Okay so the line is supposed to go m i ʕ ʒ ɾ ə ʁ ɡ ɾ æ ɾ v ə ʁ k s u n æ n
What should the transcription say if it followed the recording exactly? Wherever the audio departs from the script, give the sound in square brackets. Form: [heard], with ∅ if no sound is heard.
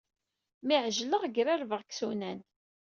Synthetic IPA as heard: m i ʕ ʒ [l] ə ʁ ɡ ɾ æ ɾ v ə ʁ k s u n æ n